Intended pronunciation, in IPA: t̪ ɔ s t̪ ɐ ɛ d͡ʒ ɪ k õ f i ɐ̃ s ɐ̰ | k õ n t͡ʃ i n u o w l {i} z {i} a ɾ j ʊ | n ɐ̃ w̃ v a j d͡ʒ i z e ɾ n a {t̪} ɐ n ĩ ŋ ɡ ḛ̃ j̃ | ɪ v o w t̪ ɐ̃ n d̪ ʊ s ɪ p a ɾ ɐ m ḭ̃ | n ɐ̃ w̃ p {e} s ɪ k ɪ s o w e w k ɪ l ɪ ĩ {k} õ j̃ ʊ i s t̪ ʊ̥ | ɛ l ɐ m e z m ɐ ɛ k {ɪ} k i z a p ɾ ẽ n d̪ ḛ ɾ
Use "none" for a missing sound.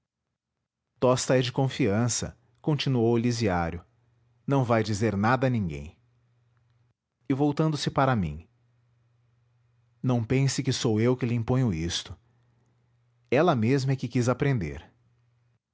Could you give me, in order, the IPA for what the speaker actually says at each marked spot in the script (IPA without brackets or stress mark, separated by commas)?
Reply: i, i, d̪, ẽ, p, ɪ